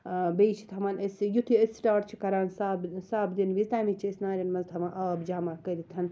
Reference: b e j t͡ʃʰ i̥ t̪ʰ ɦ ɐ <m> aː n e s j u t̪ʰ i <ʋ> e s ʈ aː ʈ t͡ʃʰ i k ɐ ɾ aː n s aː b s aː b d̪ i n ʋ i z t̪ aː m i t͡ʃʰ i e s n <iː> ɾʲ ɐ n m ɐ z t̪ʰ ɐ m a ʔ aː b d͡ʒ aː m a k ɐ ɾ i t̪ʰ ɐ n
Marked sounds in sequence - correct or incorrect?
correct, incorrect, incorrect

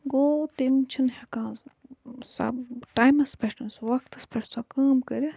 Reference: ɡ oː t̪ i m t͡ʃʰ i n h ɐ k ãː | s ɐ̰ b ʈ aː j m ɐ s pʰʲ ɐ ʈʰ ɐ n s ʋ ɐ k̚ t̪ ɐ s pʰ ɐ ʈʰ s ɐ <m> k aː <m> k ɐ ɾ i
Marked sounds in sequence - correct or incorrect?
incorrect, correct

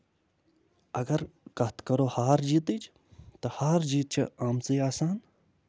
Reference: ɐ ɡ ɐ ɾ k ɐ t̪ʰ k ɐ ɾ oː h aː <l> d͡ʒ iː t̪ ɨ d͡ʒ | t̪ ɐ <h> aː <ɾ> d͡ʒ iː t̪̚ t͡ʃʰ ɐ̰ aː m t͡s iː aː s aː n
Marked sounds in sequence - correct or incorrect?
incorrect, correct, correct

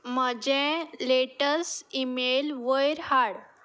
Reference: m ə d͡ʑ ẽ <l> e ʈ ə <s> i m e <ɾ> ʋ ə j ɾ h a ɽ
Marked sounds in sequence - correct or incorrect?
correct, correct, incorrect

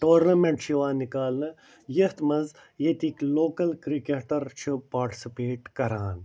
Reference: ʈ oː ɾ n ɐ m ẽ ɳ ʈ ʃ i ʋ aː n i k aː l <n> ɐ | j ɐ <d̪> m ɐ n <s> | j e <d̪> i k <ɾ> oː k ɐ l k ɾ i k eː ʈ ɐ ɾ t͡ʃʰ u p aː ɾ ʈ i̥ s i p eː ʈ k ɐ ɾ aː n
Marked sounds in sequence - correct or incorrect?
correct, incorrect, incorrect, incorrect, incorrect

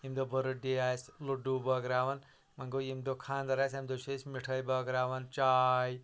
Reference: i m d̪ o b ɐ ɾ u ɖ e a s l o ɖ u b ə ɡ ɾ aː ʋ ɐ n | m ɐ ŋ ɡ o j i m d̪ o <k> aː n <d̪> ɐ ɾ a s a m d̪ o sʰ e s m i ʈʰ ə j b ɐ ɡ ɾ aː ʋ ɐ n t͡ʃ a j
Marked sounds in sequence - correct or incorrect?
incorrect, correct

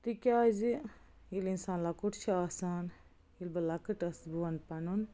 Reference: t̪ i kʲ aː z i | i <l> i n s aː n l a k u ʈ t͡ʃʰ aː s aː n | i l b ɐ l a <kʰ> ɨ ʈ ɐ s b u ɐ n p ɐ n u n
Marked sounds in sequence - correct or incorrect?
correct, incorrect

